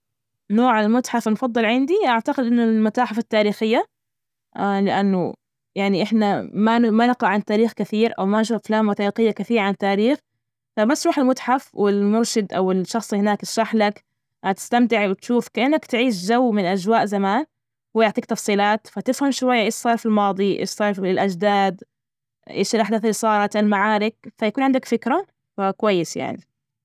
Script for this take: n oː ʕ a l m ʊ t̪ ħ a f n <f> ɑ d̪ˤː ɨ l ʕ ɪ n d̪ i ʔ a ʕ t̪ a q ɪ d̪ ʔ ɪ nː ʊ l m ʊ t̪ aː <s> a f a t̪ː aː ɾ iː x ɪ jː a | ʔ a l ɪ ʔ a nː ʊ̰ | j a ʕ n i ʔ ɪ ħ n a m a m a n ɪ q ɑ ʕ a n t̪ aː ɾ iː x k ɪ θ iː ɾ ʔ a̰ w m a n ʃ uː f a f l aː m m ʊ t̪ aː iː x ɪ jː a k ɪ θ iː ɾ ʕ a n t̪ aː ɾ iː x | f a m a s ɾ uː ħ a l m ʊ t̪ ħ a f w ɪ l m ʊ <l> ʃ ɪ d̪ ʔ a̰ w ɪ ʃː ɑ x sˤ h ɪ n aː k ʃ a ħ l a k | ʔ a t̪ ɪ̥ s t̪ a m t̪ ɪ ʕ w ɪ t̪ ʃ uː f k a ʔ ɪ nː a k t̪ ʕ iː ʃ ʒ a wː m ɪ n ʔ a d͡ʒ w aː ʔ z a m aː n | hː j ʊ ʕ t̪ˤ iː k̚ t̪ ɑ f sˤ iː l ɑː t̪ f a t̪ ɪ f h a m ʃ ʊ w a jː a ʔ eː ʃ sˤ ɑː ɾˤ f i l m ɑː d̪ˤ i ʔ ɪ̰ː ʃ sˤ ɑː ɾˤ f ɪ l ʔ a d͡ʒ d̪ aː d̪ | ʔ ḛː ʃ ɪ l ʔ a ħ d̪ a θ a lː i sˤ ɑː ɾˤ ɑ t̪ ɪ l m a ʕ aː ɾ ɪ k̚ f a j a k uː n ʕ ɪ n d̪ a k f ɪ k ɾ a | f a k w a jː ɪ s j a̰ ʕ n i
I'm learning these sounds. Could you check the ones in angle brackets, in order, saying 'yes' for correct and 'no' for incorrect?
yes, no, no

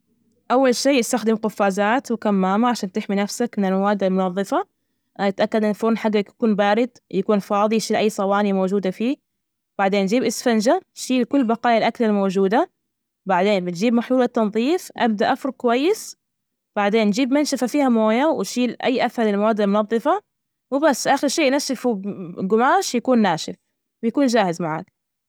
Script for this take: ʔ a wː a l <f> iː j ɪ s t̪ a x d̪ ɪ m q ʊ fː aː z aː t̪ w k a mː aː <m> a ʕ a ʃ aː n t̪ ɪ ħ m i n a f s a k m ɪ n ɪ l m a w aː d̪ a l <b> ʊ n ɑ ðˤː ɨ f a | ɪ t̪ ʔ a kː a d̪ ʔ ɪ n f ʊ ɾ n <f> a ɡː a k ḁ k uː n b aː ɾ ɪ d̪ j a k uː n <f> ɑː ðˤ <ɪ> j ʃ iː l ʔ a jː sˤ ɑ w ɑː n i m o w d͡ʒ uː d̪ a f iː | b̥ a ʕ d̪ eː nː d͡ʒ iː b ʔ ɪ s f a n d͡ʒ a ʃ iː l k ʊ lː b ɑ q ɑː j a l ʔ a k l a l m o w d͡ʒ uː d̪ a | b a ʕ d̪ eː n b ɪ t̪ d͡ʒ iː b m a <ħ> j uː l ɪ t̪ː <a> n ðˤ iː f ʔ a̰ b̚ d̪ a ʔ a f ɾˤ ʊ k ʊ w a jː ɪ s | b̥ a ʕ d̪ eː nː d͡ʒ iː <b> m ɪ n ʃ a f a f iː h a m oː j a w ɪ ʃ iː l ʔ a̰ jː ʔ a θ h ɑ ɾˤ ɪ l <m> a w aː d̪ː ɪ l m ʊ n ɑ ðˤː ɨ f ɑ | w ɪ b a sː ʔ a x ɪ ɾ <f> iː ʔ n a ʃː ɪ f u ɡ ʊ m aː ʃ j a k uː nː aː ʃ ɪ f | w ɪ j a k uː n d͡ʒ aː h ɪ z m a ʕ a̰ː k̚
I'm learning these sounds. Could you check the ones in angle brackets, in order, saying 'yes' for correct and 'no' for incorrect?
no, yes, no, no, yes, no, yes, no, yes, yes, no

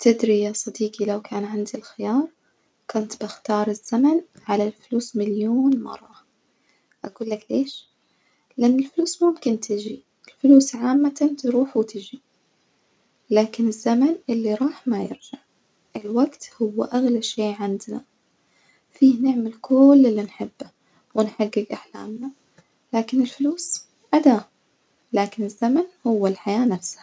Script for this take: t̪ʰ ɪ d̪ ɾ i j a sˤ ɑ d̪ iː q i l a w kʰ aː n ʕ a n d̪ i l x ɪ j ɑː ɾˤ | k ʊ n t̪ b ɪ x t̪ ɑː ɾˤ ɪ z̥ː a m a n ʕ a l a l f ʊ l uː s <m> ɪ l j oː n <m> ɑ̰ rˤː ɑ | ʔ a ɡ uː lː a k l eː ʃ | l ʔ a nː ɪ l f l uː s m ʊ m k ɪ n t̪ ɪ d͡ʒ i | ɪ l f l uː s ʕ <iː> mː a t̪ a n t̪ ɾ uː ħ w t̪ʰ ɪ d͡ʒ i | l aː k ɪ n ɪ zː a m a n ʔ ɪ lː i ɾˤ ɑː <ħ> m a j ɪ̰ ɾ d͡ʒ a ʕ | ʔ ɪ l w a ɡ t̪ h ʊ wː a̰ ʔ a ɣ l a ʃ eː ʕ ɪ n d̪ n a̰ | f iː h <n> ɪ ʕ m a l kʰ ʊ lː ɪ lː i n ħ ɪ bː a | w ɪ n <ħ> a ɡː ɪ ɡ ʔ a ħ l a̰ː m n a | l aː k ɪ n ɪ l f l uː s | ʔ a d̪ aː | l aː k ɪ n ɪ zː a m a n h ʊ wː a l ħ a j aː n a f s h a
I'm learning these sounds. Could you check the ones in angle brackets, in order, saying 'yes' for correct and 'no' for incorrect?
yes, yes, no, yes, yes, yes

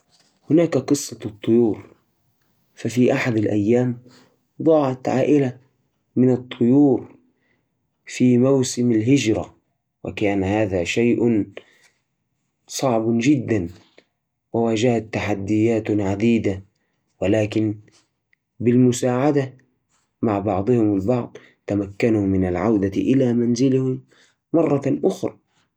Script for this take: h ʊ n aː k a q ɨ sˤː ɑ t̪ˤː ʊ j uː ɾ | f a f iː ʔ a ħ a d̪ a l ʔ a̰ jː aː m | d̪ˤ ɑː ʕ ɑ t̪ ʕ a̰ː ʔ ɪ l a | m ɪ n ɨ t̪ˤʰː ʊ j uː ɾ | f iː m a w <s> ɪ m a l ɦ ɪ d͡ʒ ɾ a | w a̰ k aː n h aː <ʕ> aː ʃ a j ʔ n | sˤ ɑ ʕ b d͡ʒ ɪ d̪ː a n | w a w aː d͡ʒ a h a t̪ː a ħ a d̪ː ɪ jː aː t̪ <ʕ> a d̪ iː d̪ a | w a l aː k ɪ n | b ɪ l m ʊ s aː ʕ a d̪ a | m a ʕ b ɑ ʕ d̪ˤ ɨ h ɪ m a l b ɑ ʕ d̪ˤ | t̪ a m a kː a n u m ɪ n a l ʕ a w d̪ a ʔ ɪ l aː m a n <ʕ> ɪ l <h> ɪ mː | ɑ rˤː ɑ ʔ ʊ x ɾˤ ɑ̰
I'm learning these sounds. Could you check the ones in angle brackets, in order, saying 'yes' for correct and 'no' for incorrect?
yes, no, yes, no, yes

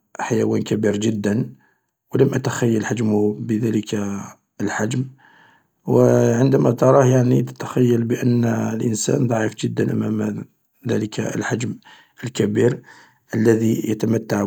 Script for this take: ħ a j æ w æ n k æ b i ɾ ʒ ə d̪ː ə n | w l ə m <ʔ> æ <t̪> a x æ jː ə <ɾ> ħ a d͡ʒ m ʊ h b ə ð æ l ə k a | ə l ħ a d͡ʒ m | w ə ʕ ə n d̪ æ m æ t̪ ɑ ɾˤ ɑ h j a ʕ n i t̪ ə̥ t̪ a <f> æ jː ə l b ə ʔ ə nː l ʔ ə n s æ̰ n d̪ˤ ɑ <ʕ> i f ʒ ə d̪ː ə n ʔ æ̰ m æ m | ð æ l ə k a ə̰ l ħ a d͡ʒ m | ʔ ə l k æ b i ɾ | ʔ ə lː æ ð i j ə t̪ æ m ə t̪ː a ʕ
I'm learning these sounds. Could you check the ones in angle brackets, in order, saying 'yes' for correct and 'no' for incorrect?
yes, yes, no, no, yes

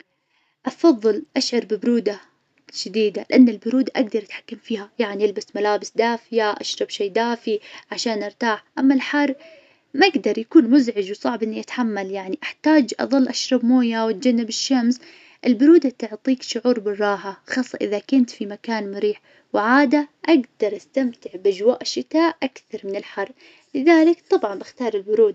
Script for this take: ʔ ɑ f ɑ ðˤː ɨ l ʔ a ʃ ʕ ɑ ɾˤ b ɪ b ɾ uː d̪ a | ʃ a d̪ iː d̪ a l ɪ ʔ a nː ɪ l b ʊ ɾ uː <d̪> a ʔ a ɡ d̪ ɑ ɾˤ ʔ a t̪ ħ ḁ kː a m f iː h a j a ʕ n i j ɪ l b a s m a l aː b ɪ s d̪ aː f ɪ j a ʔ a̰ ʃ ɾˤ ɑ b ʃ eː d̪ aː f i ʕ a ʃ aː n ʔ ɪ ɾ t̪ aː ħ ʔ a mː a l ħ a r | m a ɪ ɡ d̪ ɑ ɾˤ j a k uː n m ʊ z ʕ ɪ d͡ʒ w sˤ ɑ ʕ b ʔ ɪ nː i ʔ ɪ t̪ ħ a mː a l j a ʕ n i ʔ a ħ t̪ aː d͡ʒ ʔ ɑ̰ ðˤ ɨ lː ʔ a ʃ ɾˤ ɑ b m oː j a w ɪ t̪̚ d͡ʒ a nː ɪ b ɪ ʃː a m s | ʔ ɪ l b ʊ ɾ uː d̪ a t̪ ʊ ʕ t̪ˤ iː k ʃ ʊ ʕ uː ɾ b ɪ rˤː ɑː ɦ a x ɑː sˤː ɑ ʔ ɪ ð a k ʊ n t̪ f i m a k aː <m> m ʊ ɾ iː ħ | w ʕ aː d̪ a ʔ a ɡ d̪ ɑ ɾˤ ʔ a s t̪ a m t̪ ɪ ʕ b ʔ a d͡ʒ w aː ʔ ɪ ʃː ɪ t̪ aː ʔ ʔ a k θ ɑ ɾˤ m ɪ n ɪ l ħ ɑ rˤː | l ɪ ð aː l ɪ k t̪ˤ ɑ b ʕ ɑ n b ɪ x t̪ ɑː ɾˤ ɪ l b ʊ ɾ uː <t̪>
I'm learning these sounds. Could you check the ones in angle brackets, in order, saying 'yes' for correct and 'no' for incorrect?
yes, no, no

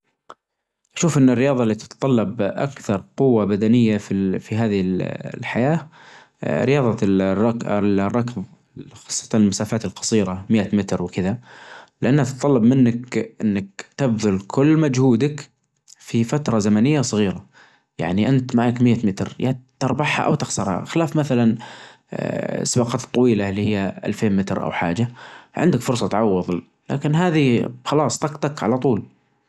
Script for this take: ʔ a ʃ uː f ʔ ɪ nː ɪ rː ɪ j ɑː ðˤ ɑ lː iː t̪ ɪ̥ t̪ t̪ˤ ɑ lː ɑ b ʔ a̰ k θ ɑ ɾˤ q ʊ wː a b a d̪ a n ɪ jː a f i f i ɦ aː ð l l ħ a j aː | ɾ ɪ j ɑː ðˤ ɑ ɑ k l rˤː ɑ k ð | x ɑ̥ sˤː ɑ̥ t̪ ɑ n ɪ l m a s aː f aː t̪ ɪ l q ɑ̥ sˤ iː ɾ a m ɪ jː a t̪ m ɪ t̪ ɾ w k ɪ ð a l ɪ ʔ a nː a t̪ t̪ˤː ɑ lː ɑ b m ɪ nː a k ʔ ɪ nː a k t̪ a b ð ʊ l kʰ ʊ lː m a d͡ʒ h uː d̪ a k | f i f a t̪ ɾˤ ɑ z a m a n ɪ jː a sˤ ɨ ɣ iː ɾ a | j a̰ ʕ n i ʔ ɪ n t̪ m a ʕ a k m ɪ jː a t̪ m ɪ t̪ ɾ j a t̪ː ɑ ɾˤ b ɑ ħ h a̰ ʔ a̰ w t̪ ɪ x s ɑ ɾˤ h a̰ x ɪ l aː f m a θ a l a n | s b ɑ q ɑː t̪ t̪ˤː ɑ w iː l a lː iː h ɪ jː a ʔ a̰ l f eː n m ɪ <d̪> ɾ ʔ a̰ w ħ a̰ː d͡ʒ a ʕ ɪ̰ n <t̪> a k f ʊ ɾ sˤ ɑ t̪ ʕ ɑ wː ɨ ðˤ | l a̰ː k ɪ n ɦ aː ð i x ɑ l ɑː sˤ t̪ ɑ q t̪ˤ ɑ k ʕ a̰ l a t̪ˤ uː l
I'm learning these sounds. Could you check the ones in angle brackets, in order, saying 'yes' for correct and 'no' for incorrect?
no, no

